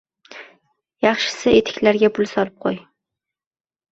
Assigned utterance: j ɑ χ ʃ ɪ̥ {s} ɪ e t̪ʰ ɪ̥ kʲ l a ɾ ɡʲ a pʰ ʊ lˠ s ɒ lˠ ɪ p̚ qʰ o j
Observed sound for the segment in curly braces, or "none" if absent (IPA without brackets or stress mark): s